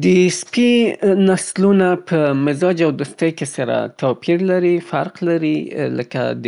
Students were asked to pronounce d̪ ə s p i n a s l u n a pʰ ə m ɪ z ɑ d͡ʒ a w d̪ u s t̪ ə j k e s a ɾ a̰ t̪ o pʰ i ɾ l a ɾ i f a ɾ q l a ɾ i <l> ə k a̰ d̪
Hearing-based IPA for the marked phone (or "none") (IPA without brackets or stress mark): l